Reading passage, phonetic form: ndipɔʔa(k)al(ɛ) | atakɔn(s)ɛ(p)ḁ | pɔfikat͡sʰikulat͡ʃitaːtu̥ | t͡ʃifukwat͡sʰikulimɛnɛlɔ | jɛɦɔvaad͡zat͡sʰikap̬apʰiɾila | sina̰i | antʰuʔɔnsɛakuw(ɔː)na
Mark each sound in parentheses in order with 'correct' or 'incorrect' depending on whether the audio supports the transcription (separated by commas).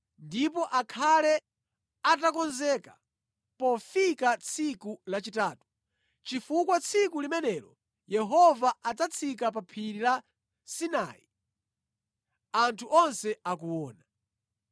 incorrect, correct, incorrect, incorrect, correct